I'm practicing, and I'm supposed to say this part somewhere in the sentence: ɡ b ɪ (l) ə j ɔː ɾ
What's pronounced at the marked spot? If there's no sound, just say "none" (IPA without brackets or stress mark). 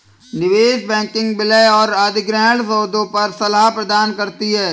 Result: l